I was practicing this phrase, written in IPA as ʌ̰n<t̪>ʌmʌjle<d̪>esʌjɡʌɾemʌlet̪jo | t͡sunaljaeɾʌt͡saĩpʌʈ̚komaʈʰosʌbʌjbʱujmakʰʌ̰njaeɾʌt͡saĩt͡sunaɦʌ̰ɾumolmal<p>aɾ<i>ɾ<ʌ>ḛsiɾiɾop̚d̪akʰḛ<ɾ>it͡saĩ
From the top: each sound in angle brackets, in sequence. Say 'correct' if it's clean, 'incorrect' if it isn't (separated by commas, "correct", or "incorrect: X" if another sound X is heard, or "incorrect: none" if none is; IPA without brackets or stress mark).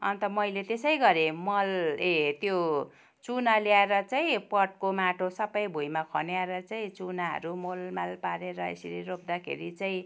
correct, incorrect: t̪, correct, incorrect: e, correct, correct